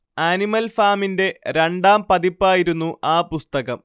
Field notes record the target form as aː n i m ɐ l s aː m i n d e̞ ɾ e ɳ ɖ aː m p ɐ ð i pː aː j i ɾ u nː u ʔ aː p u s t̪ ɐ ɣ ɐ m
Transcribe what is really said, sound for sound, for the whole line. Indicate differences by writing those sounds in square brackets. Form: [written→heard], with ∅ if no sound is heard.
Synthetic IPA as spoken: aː n i m ɐ l [s→f] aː m i n d e̞ ɾ e ɳ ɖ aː m p ɐ ð i pː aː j i ɾ u nː u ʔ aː p u s t̪ ɐ ɣ ɐ m